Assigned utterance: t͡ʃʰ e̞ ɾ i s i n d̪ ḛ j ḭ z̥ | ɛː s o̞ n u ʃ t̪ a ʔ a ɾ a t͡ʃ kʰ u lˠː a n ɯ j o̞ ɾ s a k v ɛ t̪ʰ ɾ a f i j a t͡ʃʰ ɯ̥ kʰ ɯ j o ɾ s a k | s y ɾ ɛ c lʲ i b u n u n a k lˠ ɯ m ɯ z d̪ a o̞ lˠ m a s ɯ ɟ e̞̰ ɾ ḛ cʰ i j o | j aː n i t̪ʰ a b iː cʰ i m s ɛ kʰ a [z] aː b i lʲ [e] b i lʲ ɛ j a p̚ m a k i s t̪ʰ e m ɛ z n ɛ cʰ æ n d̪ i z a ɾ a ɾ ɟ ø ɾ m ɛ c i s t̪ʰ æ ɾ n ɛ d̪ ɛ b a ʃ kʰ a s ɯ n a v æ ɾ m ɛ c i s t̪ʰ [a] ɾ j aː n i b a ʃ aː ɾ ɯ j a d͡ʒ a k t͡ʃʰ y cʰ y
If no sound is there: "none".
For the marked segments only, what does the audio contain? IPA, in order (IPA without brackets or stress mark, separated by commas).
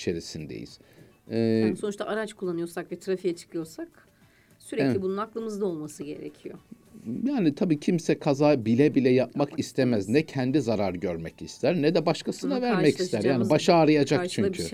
z, ɛ, æ